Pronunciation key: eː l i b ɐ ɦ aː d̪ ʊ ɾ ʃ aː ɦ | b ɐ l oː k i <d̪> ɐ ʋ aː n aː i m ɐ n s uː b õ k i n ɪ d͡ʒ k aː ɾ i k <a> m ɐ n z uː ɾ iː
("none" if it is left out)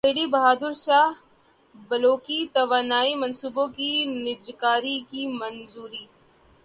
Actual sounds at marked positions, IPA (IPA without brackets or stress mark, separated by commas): t̪, i